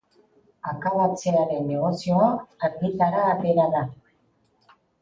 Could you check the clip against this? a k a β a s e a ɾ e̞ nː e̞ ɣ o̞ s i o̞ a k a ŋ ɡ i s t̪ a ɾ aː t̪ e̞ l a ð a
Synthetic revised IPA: a k a β a t͡s e a ɾ e̞ nː e̞ ɣ o̞ s i o̞ a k a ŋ ɡ i t̪ a ɾ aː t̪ e̞ ɾ a ð a